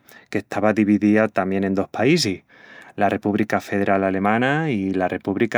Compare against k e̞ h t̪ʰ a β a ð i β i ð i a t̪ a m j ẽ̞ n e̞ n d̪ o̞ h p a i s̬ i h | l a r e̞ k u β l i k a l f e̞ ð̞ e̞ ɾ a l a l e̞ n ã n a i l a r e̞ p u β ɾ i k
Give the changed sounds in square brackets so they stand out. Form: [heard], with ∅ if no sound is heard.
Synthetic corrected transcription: k e̞ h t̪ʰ a β a ð i β i ð i a t̪ a m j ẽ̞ n e̞ n d̪ o̞ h p a i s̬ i h | l a r e̞ [p] u β l i k a [∅] f e̞ ð̞ e̞ ɾ a l a l e̞ [m] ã n a i l a r e̞ p u β [l] i k